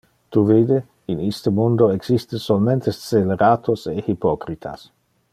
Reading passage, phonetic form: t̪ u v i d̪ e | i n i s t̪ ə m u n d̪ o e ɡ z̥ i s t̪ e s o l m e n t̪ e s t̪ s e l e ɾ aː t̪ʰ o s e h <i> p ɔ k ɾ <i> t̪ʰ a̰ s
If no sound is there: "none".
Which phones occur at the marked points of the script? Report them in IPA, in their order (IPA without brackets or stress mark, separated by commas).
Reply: i, i